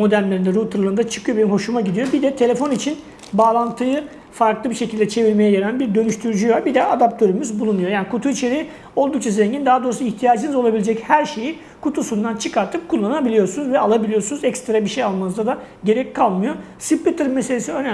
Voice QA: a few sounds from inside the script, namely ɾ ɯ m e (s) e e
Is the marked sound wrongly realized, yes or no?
no